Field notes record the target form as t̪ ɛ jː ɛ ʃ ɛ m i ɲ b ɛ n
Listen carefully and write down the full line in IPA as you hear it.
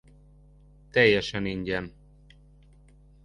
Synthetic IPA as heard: t̪ ɛ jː ɛ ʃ ɛ n i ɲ ɟ ɛ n